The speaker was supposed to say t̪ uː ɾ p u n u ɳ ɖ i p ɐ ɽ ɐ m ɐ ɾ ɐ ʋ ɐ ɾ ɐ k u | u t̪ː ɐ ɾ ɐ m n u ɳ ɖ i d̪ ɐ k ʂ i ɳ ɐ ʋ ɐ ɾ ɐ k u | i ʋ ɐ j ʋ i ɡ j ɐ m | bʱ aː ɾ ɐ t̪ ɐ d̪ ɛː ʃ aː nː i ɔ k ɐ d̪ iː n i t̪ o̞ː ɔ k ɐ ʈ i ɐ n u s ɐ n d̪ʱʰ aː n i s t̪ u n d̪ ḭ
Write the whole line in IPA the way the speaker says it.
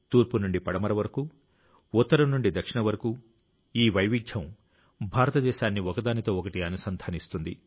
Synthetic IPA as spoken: t̪ uː ɾ p u n u ɳ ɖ i p ɐ ɽ ɐ m ɐ ɾ ɐ ʋ ɐ ɾ ɐ k u | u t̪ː ɐ ɾ ɐ m n u ɳ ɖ i d̪ ɐ k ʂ i ɳ ɐ ʋ ɐ ɾ ɐ k u | iː ʋ ɐ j ʋ i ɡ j ɐ m | bʱ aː ɾ ɐ t̪ ɐ d̪ ɛː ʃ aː nː i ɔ k ɐ d̪ aː n i t̪ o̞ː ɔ k ɐ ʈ i ɐ n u s ɐ n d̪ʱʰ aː n i s t̪ u n d̪ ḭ